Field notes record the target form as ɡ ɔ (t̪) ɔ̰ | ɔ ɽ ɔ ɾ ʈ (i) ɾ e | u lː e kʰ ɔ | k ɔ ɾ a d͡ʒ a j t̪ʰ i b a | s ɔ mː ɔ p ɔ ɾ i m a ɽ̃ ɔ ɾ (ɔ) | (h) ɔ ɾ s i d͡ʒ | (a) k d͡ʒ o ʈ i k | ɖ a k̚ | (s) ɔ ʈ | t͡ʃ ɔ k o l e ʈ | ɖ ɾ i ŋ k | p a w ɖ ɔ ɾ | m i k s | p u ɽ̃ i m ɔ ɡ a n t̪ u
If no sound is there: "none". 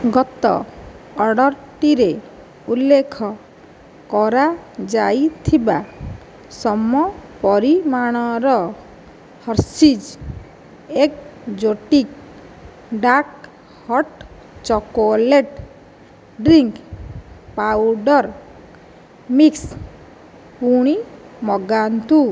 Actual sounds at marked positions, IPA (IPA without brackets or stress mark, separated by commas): t̪, i, ɔ, h, e, h